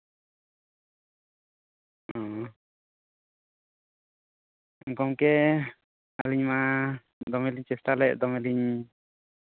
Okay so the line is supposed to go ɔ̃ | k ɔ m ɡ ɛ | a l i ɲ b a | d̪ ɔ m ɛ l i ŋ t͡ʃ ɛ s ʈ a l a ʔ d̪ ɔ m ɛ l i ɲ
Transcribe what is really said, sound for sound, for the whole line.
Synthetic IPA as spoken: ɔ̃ | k ɔ m k ɛ | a l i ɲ m a | d̪ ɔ m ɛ l i ɲ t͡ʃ ɛ s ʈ a l ɛ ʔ d̪ ɔ m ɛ l i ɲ